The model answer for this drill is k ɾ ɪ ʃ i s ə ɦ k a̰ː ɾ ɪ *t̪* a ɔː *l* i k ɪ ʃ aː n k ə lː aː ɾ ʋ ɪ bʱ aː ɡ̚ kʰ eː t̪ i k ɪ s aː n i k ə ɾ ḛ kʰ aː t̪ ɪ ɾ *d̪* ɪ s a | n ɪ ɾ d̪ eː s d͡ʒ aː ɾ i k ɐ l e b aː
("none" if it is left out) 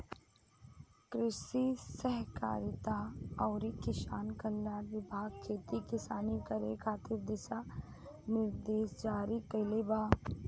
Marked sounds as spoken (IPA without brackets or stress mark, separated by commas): t̪, ɾ, d̪